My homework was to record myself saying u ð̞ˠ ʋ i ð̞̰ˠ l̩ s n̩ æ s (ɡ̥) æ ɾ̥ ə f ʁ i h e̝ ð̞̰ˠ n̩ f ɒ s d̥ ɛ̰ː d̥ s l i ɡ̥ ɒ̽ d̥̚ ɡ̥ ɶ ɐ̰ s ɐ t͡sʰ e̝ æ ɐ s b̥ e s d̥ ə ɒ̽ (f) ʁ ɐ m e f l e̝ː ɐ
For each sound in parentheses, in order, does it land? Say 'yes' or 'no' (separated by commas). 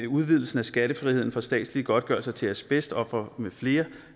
yes, yes